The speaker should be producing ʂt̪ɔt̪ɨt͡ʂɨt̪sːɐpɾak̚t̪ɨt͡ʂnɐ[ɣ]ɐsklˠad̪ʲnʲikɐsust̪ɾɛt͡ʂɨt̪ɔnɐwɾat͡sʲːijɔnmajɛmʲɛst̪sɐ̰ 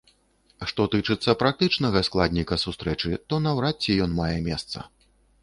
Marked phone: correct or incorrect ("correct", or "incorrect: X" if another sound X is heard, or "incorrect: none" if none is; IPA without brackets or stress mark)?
correct